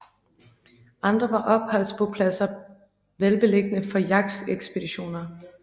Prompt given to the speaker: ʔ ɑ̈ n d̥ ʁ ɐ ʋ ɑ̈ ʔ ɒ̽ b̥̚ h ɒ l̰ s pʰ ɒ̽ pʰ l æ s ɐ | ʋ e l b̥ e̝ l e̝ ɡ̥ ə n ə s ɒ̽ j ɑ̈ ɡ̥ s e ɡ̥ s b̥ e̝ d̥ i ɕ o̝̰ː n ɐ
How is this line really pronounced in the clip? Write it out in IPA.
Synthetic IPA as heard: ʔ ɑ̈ n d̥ ʁ ɐ ʋ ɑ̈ ʔ ɒ̽ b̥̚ h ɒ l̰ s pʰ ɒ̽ pʰ l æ s ɐ | ʋ e l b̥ e̝ l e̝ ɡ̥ ə n ə f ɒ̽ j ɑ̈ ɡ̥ s e ɡ̥ s b̥ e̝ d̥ i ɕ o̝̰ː n ɐ